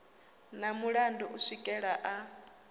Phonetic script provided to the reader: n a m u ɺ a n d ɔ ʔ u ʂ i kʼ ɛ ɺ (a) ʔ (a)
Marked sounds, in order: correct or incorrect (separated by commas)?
correct, correct